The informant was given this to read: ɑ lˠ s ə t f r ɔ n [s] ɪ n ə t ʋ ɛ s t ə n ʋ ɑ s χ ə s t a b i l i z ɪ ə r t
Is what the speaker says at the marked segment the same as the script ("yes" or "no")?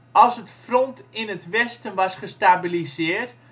no